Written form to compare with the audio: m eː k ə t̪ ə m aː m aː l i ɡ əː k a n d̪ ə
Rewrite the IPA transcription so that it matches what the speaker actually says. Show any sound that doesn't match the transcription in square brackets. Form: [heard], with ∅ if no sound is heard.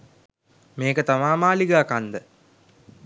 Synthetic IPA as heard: m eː k ə t̪ [a] m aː m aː l i ɡ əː k a n d̪ ə